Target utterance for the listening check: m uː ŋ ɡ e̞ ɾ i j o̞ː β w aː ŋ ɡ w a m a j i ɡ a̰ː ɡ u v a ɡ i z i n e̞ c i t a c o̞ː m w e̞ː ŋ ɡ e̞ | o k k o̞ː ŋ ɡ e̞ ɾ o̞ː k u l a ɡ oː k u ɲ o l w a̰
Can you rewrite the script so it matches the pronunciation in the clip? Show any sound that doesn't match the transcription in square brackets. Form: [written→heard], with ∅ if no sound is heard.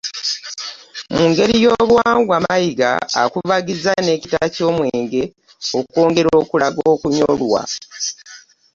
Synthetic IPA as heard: m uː ŋ ɡ e̞ ɾ i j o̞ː β w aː ŋ ɡ w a m a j i ɡ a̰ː [ɡ→k] u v a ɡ i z [i→a] n e̞ c i t a c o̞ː m w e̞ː ŋ ɡ e̞ | o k k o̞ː ŋ ɡ e̞ ɾ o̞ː k u l a ɡ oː k u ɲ o l w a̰